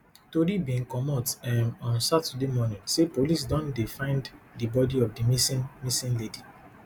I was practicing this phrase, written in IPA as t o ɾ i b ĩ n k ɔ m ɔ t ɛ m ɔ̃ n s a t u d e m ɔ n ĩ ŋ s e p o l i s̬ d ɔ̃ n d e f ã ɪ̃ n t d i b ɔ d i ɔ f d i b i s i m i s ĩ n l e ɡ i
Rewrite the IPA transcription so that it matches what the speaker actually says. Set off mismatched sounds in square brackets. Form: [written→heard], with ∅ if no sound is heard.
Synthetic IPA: t o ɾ i b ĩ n k ɔ m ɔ t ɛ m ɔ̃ n s a t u d e m ɔ n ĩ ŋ s e p o l i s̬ d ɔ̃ n d e f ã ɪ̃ n [t→d] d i b ɔ d i ɔ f d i [b→m] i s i m i s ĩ n l e [ɡ→d] i